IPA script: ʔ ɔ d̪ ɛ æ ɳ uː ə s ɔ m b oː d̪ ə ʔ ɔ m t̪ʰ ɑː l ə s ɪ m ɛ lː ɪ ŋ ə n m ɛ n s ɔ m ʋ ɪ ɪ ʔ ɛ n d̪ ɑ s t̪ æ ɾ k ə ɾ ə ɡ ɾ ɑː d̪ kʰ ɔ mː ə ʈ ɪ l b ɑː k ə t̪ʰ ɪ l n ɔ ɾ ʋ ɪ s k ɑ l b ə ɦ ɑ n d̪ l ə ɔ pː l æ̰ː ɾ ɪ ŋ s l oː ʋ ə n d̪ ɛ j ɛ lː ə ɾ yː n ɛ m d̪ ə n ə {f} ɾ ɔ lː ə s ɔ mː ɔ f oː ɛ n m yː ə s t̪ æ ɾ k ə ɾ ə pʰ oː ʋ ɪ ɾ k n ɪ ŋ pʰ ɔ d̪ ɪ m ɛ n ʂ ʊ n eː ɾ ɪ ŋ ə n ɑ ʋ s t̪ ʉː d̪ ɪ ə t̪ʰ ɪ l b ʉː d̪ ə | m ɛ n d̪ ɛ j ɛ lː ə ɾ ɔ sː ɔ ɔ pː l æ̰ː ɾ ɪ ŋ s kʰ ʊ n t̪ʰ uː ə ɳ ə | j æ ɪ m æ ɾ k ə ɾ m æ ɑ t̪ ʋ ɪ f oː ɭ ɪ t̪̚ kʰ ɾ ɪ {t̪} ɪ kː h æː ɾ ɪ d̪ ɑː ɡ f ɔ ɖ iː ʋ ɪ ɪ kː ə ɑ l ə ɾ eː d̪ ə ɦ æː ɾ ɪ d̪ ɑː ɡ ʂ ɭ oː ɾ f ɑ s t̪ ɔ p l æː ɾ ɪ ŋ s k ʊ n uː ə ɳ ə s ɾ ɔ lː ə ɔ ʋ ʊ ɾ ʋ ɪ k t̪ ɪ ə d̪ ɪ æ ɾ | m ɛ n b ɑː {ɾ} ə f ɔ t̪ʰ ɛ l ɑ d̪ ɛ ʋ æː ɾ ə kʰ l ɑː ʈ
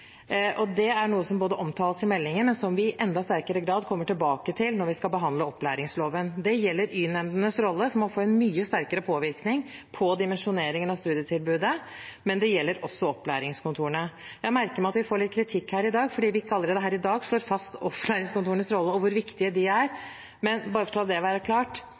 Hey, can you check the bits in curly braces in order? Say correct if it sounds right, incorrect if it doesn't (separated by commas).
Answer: incorrect, incorrect, correct